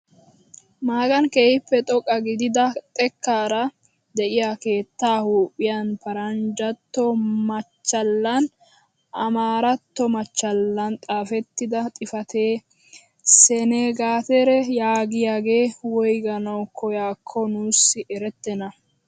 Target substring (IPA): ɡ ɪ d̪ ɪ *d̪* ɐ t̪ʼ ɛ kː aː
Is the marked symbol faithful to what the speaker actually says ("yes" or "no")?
yes